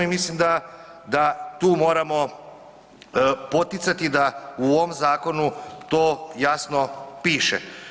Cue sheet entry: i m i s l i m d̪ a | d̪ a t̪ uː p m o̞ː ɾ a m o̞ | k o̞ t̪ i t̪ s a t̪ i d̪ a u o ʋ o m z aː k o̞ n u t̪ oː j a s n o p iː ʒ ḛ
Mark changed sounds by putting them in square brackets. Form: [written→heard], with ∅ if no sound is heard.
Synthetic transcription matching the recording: i m i s l i m d̪ a | d̪ a t̪ uː [p→∅] m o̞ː ɾ a m o̞ | [k→p] o̞ t̪ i t̪ s a t̪ i d̪ a u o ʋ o m z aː k o̞ n u t̪ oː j a s n o p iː [ʒ→ʃ] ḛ